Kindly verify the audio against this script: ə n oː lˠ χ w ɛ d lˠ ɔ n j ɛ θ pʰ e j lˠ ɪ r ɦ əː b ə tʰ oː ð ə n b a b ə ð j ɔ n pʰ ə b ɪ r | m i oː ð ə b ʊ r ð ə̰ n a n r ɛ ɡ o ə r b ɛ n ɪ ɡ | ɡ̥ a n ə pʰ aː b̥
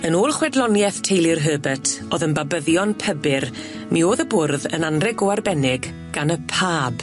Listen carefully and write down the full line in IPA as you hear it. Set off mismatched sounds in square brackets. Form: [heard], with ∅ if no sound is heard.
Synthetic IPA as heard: ə n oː lˠ χ w ɛ d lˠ ɔ n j ɛ θ [tʰ] e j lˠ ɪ r ɦ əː b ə tʰ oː ð ə n b a b ə ð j ɔ n pʰ ə b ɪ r | m i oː ð ə b ʊ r ð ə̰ n a n r ɛ ɡ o [a] r b ɛ n ɪ ɡ | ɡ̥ a n ə pʰ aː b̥